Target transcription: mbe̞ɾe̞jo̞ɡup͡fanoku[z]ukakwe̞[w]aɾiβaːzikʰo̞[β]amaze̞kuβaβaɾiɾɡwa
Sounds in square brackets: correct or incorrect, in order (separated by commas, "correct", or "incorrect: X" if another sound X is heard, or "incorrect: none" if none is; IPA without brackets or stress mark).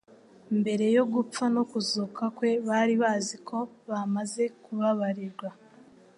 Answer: correct, incorrect: β, correct